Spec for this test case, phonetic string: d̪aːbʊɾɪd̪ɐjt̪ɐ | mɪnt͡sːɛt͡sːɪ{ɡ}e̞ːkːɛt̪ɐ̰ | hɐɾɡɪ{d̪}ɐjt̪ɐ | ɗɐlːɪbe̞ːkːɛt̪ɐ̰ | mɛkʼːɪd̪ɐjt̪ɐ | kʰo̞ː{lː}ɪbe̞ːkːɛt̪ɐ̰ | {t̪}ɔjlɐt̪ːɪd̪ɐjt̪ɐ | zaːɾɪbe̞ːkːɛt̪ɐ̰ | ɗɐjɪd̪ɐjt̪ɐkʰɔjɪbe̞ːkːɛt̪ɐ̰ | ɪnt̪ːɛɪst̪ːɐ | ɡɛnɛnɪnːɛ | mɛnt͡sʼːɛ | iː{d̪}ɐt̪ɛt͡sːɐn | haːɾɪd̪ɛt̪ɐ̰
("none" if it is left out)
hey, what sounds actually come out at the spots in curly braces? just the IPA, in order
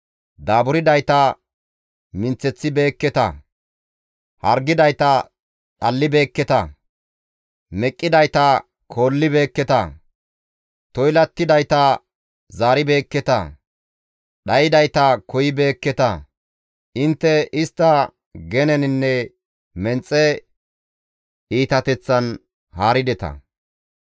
b, d̪, lː, t̪, t̪

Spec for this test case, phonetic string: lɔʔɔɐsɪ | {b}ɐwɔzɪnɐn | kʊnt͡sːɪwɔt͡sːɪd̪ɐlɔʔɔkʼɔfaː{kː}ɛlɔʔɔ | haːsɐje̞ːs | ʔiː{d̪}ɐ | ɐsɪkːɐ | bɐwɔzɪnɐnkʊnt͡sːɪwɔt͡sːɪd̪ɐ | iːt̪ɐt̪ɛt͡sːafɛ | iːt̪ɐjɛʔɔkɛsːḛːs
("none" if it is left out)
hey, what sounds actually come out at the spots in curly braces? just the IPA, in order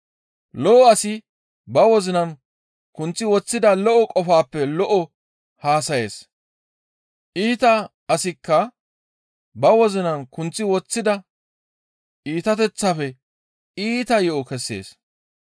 b, pː, t̪

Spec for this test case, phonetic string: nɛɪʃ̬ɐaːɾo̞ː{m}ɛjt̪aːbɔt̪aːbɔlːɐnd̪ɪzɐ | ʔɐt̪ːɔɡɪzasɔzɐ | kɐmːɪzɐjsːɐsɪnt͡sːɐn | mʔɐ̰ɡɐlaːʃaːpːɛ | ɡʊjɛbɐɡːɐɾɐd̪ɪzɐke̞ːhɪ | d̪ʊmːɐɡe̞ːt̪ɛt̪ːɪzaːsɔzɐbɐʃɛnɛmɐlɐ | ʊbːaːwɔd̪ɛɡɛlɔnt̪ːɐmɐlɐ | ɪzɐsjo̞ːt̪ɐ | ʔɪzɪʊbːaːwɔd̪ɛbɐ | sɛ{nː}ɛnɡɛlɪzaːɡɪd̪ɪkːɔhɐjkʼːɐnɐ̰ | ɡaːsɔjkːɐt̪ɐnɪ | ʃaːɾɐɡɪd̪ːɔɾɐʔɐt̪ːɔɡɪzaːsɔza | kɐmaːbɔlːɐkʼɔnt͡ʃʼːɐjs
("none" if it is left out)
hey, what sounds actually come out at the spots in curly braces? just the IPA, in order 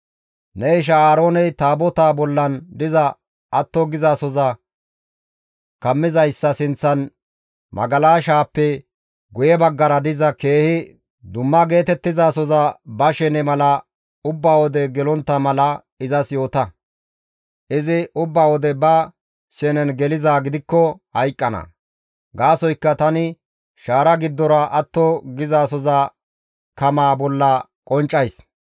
n, n

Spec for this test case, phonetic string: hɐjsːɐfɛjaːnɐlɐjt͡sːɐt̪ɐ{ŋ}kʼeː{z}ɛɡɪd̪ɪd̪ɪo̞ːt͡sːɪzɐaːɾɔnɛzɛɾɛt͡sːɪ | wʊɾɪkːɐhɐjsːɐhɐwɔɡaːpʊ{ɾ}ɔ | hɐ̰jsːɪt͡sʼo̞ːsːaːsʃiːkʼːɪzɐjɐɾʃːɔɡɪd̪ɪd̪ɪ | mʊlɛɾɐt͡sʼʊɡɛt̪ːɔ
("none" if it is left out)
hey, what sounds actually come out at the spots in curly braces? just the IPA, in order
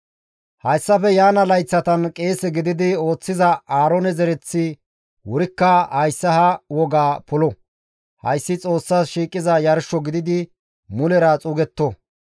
n, s, l

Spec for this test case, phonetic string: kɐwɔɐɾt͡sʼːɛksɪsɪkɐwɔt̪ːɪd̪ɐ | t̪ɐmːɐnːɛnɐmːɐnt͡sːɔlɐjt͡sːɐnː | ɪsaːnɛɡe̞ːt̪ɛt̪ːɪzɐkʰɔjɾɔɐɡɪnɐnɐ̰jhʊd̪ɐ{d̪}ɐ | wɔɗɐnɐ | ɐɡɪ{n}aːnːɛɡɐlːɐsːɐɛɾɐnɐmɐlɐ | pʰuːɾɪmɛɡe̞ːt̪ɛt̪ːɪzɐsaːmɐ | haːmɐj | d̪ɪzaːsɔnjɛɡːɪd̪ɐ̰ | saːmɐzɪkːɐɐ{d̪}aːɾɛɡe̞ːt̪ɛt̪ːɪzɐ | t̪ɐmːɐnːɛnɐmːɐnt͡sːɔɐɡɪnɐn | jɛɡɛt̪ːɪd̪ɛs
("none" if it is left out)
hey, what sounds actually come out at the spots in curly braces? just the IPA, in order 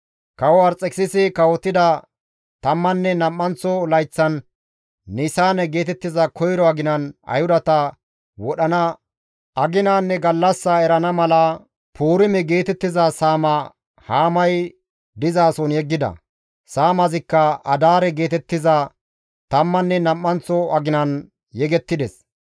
t̪, n, d̪

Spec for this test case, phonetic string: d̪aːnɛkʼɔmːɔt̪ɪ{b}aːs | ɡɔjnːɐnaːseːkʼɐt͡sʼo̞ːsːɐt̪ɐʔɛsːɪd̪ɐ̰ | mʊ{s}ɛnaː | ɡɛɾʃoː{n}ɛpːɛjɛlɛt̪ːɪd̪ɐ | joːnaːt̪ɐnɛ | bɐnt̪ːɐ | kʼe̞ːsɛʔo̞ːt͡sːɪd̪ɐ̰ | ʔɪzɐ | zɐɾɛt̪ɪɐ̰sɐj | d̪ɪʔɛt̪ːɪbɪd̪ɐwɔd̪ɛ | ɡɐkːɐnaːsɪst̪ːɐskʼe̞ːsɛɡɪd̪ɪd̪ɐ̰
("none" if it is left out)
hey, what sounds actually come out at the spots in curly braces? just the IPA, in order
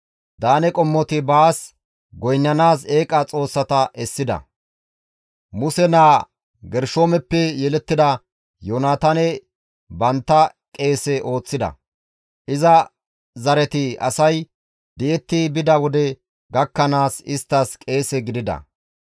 b, s, m

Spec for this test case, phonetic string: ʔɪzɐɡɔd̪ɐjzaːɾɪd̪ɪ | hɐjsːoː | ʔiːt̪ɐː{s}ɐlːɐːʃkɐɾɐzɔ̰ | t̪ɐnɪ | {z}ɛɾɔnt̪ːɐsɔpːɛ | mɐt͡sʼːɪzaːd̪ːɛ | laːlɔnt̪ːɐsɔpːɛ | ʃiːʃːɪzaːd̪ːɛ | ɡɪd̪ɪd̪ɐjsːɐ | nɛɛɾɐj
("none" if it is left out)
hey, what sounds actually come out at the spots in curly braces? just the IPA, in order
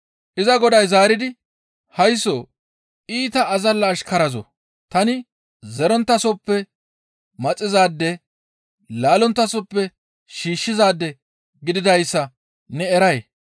z, z

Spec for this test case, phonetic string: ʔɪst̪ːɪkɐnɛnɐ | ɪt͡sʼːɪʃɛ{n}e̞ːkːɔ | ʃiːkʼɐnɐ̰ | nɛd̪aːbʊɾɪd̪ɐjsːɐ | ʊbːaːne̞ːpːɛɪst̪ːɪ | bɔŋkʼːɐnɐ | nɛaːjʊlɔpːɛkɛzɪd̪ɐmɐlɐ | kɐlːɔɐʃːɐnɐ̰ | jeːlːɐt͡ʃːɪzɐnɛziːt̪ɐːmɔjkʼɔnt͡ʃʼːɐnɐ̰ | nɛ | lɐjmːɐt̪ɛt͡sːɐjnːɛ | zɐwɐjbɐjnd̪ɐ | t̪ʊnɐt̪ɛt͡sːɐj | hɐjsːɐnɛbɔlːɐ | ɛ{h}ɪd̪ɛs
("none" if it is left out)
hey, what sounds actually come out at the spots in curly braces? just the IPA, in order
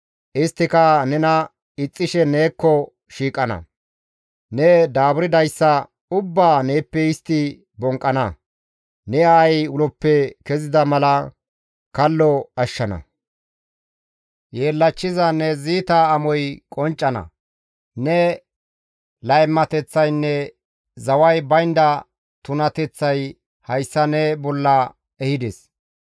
n, h

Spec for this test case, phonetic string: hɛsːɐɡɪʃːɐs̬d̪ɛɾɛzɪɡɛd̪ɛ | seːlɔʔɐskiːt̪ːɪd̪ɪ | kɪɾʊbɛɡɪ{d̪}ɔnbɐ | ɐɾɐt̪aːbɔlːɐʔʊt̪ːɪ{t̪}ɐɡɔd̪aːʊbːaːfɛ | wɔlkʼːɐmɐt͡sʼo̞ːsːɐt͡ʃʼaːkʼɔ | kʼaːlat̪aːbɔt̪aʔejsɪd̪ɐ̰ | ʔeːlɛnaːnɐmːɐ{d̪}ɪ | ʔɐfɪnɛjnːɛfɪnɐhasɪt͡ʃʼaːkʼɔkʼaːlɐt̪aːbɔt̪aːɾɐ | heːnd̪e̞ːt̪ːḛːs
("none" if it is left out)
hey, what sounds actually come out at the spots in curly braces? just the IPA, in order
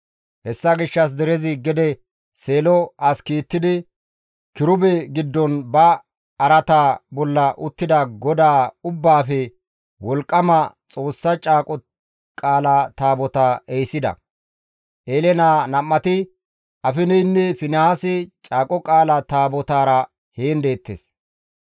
d̪ː, d̪, t̪

